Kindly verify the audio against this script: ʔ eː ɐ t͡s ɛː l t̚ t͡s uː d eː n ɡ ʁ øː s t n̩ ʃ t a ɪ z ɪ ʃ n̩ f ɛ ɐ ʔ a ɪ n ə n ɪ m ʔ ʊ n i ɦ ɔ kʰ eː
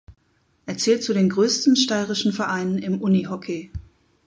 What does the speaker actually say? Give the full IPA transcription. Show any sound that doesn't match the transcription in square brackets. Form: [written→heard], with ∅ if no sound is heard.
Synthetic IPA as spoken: ʔ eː ɐ t͡s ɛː l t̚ t͡s [uː→u] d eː n ɡ ʁ øː s t n̩ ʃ t a ɪ [z→ʁ] ɪ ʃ n̩ f ɛ ɐ ʔ a ɪ n ə n ɪ m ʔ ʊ n i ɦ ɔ kʰ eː

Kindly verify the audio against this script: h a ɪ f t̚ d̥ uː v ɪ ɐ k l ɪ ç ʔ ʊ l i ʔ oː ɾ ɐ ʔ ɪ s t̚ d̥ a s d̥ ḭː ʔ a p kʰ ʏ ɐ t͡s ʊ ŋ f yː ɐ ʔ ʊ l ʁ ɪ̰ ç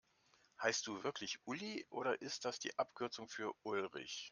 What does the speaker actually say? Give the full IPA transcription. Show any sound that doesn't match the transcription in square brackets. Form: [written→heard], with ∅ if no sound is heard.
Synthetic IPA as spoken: h a ɪ [f→s] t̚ d̥ uː v ɪ ɐ k l ɪ ç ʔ ʊ l i ʔ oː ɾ ɐ ʔ ɪ s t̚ d̥ a s d̥ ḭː ʔ a p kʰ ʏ ɐ t͡s ʊ ŋ f yː ɐ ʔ ʊ l ʁ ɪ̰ ç

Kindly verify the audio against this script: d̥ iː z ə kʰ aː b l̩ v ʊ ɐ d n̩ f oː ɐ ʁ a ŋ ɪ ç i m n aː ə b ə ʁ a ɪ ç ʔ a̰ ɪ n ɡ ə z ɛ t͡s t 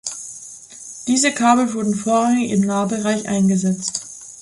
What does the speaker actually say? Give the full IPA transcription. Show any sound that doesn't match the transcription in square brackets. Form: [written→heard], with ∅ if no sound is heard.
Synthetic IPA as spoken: d̥ iː z ə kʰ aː b l̩ v ʊ ɐ d n̩ f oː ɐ ʁ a ŋ ɪ ç [i→ɪ] m n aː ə b ə ʁ a ɪ ç ʔ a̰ ɪ n ɡ ə z ɛ t͡s t

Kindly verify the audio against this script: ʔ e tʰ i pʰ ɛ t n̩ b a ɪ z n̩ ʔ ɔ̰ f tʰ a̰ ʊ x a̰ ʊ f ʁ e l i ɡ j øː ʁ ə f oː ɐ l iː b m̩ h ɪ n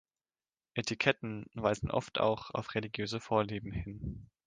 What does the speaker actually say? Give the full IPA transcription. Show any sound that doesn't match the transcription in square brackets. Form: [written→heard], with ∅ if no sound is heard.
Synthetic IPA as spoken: ʔ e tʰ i [pʰ→kʰ] ɛ t n̩ [b→v] a ɪ z n̩ ʔ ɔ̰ f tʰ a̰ ʊ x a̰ ʊ f ʁ e l i ɡ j øː [ʁ→z] ə f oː ɐ l iː b m̩ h ɪ n

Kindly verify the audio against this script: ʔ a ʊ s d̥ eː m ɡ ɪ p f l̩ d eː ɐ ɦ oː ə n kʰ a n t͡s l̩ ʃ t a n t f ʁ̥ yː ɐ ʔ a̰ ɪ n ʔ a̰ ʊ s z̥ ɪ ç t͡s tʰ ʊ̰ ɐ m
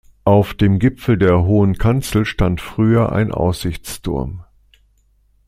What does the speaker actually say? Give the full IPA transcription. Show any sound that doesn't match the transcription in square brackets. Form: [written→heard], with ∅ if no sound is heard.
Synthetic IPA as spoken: ʔ a ʊ [s→f] d̥ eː m ɡ ɪ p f l̩ d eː ɐ ɦ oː ə n kʰ a n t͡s l̩ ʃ t a n t f ʁ̥ yː ɐ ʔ a̰ ɪ n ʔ a̰ ʊ s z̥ ɪ ç t͡s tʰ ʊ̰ ɐ m

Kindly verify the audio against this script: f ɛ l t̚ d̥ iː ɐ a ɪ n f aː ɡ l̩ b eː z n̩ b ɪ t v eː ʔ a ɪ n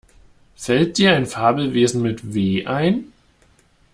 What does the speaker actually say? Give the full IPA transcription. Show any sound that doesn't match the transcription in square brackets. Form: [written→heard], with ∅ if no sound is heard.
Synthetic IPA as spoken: f ɛ l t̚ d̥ iː ɐ a ɪ n f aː [ɡ→b] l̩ [b→v] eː z n̩ [b→m] ɪ t v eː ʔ a ɪ n

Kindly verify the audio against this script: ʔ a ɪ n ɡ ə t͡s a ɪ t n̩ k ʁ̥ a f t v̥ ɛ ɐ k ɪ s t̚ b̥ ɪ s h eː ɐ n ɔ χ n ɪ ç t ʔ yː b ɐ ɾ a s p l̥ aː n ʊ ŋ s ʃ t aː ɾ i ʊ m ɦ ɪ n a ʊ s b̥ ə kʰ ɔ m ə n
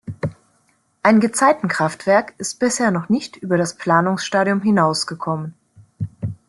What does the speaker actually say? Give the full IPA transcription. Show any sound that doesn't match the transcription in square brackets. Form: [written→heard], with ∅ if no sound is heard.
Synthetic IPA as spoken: ʔ a ɪ n ɡ ə t͡s a ɪ t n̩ k ʁ̥ a f t v̥ ɛ ɐ k ɪ s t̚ b̥ ɪ s h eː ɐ n ɔ χ n ɪ ç t ʔ yː b ɐ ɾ a s p l̥ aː n ʊ ŋ s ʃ t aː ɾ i ʊ m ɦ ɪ n a ʊ s [b̥→ɡ̥] ə kʰ ɔ m ə n

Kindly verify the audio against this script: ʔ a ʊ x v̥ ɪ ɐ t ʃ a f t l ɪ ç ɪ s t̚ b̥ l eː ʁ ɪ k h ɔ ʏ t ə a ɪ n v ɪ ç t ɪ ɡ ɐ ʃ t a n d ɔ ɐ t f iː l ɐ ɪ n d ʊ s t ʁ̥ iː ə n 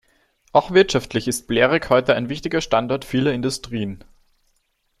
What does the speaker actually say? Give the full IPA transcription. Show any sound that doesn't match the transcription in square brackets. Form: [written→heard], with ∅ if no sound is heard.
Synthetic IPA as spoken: ʔ a ʊ x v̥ ɪ ɐ t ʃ a f t l ɪ ç ɪ s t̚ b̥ l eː ʁ ɪ k h ɔ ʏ t ə a ɪ n v ɪ ç t ɪ ɡ ɐ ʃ t a n d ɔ ɐ t f iː l ɐ ɪ n d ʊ s t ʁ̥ iː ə n

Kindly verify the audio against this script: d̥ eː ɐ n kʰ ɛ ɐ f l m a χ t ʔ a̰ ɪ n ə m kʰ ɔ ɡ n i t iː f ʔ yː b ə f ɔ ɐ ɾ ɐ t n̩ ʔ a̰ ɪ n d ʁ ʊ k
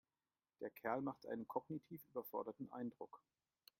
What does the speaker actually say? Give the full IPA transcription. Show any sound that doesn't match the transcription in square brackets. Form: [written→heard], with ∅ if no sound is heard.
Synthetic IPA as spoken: d̥ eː ɐ [n→∅] kʰ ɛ ɐ [f→∅] l m a χ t ʔ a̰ ɪ n ə [m→n] kʰ ɔ ɡ n i [t→tʰ] iː f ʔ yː b [ə→ɐ] f ɔ ɐ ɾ ɐ t n̩ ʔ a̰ ɪ n d ʁ ʊ k

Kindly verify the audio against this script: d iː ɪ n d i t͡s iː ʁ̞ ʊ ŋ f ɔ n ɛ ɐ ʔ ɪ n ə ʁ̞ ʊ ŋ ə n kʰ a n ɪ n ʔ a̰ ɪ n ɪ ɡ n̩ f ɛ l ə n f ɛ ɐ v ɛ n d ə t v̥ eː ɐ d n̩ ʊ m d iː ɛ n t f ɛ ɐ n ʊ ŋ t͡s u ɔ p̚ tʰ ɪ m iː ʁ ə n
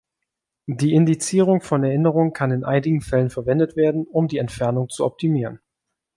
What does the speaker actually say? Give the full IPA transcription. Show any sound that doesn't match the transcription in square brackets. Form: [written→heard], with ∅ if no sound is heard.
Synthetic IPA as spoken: d iː ɪ n d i t͡s iː ʁ̞ ʊ ŋ f ɔ n ɛ ɐ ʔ ɪ n ə ʁ̞ ʊ ŋ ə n kʰ a n ɪ n ʔ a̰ ɪ n ɪ ɡ [n̩→ŋ̩] f ɛ l ə n f ɛ ɐ v ɛ n d ə t v̥ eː ɐ d n̩ ʊ m d iː ɛ n t f ɛ ɐ n ʊ ŋ t͡s u ɔ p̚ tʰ [ɪ→i] m iː ʁ ə n

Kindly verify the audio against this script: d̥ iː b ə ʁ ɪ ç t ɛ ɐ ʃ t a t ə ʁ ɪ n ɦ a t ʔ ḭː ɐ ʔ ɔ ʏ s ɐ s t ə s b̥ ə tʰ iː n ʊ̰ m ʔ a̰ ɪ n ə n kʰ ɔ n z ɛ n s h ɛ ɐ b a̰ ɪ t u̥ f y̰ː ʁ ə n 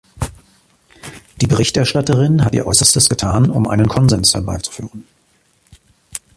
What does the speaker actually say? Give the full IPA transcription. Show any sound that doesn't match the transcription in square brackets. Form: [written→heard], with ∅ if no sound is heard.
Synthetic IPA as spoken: d̥ iː b ə ʁ ɪ ç t ɛ ɐ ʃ t a t ə ʁ ɪ n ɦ a t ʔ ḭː ɐ ʔ ɔ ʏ s ɐ s t ə s [b̥→ɡ̥] ə tʰ [iː→aː] n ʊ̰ m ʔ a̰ ɪ n ə n kʰ ɔ n z ɛ n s h ɛ ɐ b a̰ ɪ [t→t͡s] u̥ f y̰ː ʁ ə n

